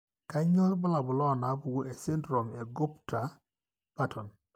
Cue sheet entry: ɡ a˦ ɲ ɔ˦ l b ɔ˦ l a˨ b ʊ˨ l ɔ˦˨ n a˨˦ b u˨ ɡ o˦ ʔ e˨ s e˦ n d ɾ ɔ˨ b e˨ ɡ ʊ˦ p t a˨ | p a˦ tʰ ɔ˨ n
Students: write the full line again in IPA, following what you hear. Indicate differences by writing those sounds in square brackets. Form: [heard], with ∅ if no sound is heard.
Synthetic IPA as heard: [k] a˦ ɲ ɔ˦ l b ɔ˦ l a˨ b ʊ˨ l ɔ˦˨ n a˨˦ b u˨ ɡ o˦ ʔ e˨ s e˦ n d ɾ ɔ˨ [m] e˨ ɡ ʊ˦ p t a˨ | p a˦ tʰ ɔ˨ n